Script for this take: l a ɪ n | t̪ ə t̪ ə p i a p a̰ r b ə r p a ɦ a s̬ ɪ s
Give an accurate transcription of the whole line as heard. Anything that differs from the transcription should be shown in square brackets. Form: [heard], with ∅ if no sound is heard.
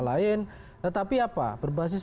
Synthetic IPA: l a ɪ n | t̪ ə t̪ [a] p i a p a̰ [∅] b ə r [b] a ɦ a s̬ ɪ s